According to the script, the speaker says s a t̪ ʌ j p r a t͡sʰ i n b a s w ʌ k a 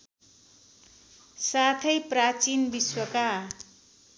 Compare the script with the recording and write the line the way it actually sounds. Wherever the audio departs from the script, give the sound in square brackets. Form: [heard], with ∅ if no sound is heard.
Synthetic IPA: s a [t̪ʰ] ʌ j p r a [t͡s] i n b [i] s w ʌ k a